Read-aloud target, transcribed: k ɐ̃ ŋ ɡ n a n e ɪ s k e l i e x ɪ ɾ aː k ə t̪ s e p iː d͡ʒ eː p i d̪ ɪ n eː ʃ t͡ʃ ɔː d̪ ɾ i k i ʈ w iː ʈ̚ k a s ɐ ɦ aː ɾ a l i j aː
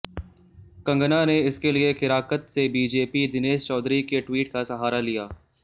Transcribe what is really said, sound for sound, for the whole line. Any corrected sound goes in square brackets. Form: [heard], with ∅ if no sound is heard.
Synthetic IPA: k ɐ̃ ŋ ɡ n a n e ɪ s k e l i e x ɪ ɾ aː k ə t̪ s e [b] iː d͡ʒ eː p i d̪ ɪ n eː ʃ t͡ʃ ɔː d̪ ɾ i k [e] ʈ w iː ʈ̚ k a s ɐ ɦ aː ɾ a l i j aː